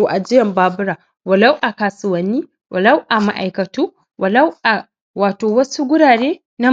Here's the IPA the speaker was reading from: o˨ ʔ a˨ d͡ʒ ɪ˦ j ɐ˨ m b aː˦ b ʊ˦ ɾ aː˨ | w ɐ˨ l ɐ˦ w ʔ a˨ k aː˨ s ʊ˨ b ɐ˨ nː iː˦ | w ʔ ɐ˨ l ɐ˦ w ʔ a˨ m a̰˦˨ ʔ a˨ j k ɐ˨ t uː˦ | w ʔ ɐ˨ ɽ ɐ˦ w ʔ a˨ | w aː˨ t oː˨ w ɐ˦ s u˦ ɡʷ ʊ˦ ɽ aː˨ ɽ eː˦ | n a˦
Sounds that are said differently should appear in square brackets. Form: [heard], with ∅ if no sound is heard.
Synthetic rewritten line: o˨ ʔ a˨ d͡ʒ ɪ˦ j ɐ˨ m b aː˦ b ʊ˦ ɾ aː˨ | w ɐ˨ l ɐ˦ w ʔ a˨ k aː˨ s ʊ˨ [w] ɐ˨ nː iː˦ | w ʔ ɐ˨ l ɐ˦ w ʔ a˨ m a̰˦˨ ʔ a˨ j k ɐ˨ t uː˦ | w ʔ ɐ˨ [l] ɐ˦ w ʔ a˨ | w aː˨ t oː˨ w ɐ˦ s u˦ ɡʷ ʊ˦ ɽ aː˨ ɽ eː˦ | n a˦